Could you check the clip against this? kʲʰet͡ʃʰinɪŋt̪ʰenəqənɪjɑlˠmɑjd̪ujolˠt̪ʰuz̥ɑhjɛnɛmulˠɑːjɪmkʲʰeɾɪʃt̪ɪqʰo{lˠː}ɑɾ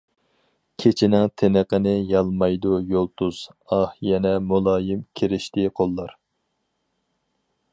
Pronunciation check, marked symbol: correct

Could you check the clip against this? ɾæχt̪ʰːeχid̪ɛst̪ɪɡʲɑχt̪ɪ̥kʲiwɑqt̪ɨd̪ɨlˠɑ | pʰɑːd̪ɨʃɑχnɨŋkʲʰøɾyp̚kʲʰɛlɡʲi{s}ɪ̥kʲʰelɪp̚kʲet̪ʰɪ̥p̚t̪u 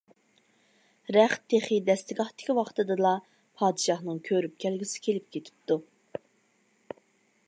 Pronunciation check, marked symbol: correct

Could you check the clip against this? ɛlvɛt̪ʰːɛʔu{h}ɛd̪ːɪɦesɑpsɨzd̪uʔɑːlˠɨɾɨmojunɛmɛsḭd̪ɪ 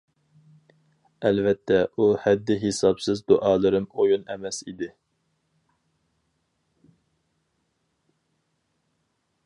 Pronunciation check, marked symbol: correct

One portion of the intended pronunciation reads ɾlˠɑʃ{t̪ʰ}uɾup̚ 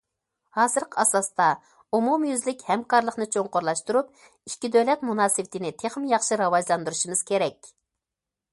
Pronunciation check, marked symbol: incorrect: t̪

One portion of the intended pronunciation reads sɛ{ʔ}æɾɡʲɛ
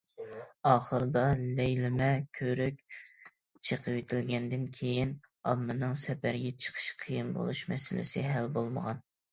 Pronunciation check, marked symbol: incorrect: p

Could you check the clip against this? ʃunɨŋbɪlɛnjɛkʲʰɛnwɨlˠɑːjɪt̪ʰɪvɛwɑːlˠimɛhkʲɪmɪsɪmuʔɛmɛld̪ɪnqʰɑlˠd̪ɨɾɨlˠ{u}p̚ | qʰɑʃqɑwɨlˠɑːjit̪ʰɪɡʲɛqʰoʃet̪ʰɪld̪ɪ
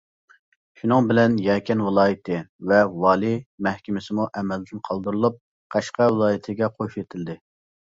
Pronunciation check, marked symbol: correct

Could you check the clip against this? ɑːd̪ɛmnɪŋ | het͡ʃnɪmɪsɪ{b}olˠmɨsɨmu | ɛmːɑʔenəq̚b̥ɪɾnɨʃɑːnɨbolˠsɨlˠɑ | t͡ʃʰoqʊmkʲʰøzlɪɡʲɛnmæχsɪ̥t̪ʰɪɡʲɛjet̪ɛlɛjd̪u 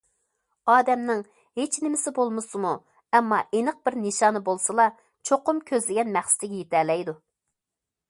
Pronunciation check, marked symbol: correct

